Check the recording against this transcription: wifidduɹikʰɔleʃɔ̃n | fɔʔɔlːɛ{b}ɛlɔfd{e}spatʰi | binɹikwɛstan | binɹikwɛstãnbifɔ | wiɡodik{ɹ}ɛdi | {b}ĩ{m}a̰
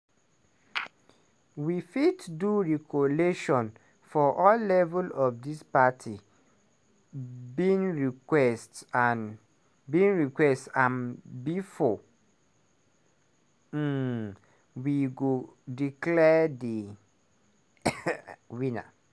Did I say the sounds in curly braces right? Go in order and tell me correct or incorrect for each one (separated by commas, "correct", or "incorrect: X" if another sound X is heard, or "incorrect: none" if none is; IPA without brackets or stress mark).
incorrect: v, incorrect: i, incorrect: l, incorrect: w, incorrect: n